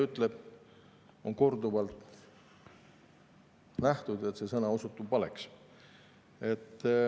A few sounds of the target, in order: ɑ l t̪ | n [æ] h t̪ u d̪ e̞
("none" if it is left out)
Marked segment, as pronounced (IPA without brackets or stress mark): æ